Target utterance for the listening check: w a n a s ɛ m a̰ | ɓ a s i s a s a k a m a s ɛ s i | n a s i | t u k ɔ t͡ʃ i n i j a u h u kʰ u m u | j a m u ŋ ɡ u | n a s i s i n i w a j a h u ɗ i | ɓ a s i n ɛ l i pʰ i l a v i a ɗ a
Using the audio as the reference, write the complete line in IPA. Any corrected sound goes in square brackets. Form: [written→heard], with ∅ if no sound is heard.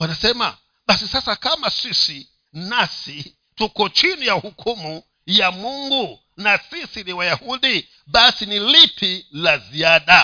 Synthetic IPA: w a n a s ɛ m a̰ | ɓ a s i s a s a k a m a s [ɛ→i] s i | n a s i | t u k ɔ t͡ʃ i n i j a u h u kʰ u m u | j a m u ŋ ɡ u | n a s i s i n i w a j a h u ɗ i | ɓ a s i n [ɛ→i] l i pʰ i l a [v→z] i a ɗ a